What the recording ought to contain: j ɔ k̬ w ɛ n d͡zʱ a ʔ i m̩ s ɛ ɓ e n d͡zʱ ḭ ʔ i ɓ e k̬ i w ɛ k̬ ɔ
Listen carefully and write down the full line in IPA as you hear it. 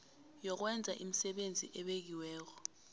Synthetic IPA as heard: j ɔ k̬ w ɛ n d͡zʱ a ʔ i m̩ s ɛ ɓ e n d͡zʱ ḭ ʔ ɛ ɓ e k̬ i w ɛː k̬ ɔ